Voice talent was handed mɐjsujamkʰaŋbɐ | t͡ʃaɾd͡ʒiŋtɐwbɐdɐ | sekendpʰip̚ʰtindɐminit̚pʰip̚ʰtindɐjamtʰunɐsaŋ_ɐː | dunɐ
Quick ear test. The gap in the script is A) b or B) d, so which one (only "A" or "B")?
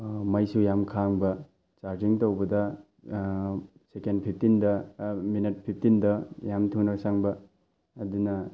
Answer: A